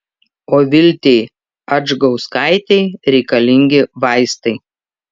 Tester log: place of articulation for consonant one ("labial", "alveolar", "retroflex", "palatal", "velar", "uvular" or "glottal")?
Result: labial